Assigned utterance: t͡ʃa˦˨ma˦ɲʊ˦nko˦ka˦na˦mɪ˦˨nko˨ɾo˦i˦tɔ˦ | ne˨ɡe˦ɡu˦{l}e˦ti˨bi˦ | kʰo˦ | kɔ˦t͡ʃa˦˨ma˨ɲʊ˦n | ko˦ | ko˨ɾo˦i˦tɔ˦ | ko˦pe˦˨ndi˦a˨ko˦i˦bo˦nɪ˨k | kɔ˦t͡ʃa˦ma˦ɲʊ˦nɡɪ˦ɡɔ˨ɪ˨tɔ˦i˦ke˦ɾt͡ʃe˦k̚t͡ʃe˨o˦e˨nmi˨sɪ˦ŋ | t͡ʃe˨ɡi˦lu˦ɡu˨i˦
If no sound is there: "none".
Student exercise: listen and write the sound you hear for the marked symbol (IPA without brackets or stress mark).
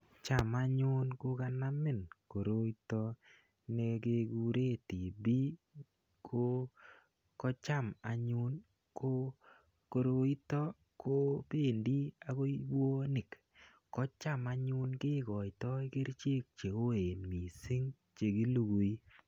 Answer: ɾ